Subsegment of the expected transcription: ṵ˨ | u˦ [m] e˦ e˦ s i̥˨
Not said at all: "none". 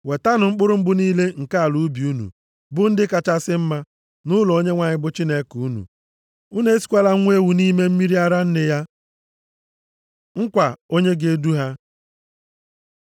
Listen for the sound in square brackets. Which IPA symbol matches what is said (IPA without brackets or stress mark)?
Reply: n